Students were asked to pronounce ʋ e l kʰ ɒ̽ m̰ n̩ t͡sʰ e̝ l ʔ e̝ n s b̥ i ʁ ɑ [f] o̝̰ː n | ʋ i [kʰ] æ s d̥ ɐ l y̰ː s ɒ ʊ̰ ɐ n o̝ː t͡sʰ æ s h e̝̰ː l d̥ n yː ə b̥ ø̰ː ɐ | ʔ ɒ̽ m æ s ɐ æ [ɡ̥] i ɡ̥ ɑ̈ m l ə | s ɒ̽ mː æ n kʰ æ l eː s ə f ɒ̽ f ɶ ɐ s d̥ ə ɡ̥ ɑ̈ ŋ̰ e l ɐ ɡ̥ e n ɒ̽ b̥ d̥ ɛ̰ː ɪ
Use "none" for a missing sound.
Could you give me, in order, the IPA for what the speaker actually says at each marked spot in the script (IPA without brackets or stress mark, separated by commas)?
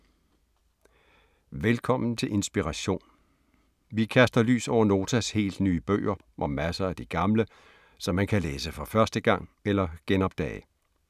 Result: ɕ, kʰ, d̥